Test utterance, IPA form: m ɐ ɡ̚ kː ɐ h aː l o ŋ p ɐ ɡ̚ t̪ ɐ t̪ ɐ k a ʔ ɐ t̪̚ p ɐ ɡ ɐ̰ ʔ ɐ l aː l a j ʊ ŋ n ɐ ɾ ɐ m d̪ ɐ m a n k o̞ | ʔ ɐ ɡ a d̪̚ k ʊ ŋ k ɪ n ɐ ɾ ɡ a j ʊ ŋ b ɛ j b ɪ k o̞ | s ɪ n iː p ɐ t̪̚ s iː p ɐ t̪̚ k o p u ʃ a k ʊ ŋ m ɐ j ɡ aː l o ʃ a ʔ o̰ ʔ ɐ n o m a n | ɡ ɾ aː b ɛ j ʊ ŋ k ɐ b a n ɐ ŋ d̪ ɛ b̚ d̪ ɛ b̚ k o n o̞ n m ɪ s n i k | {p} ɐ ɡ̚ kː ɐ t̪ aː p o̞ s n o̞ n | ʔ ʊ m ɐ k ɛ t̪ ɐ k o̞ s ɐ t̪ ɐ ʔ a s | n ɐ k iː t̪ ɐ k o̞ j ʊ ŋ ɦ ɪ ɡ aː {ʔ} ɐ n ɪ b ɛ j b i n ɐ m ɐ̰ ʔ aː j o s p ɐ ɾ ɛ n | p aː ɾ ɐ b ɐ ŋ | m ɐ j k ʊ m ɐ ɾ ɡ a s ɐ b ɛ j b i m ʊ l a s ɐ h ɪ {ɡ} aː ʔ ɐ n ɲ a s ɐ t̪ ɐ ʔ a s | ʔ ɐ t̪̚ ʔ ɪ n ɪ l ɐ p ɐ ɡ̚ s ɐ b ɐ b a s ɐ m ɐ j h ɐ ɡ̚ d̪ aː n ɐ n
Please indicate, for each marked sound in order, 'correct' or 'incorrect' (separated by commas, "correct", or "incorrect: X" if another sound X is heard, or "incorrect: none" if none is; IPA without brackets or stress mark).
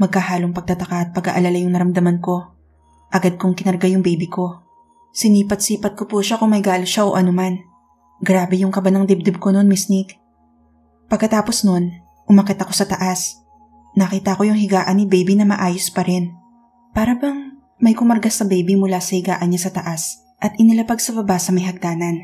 correct, correct, correct